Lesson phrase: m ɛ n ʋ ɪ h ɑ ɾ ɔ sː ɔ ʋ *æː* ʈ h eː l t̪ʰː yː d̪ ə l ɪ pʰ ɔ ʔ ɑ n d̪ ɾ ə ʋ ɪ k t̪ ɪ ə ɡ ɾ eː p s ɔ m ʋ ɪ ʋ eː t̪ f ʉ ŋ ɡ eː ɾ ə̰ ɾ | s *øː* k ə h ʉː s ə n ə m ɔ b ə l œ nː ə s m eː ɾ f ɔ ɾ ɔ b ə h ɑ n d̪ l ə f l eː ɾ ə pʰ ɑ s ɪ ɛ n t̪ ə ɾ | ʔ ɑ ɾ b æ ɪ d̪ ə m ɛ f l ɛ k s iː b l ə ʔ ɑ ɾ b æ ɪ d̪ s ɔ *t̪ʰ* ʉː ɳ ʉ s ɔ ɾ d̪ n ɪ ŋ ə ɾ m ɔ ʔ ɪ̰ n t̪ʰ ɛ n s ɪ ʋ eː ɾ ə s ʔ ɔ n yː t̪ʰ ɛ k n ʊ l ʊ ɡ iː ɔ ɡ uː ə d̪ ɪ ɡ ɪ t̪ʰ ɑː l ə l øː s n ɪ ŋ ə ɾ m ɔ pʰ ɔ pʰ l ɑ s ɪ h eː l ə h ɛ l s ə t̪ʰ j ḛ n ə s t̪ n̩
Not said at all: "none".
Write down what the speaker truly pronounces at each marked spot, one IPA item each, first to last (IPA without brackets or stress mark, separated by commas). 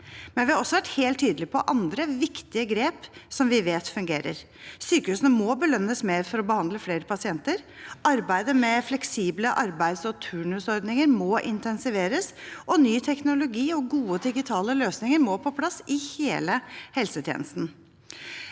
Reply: æ, yː, t̪ʰ